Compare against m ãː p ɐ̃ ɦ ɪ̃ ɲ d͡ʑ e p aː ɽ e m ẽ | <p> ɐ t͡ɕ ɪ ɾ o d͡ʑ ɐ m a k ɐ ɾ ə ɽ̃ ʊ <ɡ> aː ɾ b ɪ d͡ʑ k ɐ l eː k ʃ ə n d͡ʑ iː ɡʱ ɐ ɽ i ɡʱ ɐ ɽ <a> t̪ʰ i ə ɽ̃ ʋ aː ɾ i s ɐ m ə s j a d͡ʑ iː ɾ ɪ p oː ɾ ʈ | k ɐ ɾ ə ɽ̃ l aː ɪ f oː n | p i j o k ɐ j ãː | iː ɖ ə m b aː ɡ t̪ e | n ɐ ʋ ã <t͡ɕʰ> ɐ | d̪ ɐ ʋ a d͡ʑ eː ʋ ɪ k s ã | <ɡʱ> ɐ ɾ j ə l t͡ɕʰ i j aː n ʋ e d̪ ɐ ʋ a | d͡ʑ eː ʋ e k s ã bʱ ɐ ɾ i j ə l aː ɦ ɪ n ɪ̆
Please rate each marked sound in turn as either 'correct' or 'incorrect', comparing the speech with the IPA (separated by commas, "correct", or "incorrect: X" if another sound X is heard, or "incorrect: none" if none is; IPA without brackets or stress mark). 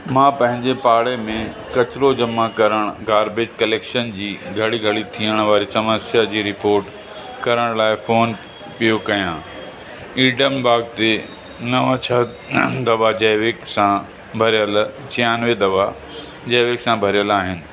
incorrect: k, correct, incorrect: i, correct, incorrect: bʱ